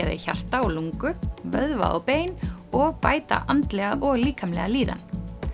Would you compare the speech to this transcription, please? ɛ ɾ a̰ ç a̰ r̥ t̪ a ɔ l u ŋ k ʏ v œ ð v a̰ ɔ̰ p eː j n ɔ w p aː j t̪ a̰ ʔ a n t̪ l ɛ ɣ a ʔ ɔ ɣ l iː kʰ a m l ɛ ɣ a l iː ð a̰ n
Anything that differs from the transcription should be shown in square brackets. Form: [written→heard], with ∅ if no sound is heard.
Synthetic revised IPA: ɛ ɾ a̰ ç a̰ r̥ t̪ a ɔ l u ŋ k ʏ v œ ð v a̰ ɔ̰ p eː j n ɔ [w→ɣ] p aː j t̪ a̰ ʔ a n t̪ l ɛ ɣ a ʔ ɔ ɣ l iː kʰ a m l ɛ ɣ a l iː ð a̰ n